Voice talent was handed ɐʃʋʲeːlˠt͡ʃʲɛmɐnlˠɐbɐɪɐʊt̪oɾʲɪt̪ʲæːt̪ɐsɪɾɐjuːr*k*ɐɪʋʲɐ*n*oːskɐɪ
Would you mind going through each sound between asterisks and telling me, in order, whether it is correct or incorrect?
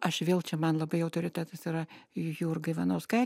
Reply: incorrect: ɡ, correct

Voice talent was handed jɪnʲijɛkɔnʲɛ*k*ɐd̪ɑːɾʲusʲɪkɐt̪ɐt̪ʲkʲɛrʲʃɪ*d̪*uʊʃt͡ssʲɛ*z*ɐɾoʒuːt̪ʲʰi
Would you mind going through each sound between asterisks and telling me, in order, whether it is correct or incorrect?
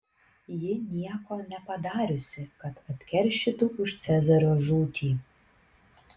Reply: incorrect: p, incorrect: t̪, correct

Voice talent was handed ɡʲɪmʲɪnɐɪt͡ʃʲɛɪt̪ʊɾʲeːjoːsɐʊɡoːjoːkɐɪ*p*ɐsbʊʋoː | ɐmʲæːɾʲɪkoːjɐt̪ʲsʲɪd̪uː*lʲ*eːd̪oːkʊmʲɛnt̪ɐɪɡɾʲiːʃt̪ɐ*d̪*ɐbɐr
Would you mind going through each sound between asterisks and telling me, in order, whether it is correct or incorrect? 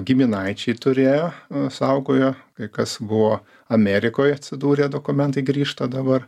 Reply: incorrect: k, incorrect: ɾʲ, correct

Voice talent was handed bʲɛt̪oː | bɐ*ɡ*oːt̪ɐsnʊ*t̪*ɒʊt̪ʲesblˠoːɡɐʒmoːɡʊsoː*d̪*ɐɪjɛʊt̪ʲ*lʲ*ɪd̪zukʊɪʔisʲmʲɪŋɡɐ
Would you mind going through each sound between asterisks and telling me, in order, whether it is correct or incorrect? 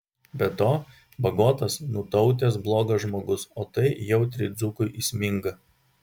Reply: correct, correct, incorrect: t̪, incorrect: ɾʲ

